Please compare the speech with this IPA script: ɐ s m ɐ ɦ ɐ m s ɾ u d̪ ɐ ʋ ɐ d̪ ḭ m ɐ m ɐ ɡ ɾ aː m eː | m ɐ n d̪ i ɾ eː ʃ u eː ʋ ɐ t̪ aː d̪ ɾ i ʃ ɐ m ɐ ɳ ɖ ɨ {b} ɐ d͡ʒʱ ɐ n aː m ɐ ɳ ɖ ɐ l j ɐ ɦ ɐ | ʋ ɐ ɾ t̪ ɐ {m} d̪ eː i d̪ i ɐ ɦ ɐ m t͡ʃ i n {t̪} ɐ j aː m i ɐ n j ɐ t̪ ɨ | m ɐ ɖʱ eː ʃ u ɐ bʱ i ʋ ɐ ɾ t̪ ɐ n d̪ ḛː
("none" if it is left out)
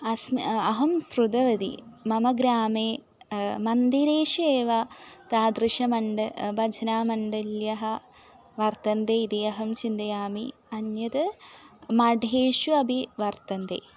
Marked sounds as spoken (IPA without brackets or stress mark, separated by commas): b, n, d̪